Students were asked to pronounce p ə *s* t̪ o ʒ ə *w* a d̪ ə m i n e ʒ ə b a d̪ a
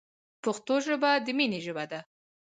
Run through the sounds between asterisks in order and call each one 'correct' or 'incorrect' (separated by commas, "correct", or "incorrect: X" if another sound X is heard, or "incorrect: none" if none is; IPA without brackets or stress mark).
incorrect: x, incorrect: b